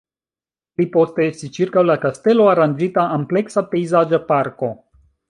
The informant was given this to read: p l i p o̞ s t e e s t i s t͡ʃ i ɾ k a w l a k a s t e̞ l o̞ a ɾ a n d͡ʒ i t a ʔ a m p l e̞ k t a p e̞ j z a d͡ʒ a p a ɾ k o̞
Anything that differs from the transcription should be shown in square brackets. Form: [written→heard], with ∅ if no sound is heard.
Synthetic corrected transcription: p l i p o̞ s t e e s t i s t͡ʃ i ɾ k a w l a k a s t e̞ l o̞ a ɾ a n d͡ʒ i t a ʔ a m p l e̞ k [t→s] a p e̞ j z a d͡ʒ a p a ɾ k o̞